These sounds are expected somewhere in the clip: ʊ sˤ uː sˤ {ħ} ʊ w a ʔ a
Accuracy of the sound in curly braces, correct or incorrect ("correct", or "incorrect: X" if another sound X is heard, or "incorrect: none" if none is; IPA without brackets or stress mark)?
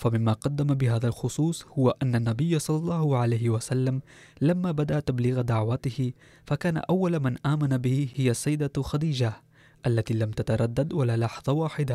incorrect: h